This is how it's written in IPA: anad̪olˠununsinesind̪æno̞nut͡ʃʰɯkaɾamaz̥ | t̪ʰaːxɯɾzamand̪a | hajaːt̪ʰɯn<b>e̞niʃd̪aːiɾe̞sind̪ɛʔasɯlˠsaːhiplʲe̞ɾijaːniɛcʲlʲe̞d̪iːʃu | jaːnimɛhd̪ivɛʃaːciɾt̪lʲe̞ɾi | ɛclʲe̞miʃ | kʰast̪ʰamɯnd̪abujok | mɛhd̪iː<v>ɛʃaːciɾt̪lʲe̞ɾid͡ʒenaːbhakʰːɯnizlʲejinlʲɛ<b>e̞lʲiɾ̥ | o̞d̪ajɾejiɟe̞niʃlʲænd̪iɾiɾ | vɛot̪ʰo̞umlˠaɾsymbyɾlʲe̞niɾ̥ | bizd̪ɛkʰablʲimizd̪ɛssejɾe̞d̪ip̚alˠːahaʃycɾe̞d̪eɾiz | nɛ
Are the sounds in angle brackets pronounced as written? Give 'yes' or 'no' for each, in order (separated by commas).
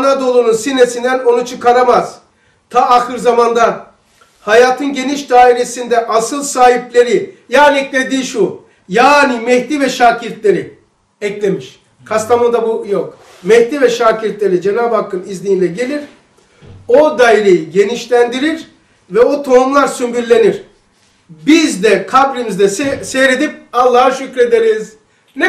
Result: no, yes, no